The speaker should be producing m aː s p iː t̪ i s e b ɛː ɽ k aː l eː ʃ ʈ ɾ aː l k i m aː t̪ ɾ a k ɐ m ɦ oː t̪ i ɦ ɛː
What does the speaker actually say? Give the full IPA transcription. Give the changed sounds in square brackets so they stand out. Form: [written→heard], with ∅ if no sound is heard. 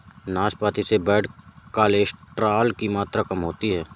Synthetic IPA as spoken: [m→n] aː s p [iː→aː] t̪ i s e b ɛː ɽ k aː l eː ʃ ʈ ɾ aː l k i m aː t̪ ɾ a k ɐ m ɦ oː t̪ i ɦ ɛː